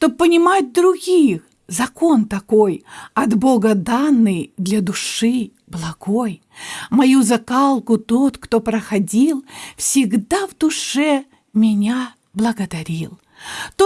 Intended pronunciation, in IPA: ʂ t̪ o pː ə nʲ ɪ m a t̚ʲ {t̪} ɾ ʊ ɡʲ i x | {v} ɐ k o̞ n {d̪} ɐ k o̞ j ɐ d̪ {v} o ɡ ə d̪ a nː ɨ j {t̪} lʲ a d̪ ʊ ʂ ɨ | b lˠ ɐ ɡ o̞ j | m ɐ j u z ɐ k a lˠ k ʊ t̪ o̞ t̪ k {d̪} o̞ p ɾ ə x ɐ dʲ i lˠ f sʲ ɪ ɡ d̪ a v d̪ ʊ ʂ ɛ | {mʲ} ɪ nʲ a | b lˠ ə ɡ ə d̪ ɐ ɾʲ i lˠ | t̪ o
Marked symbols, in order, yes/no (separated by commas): no, no, no, no, no, no, yes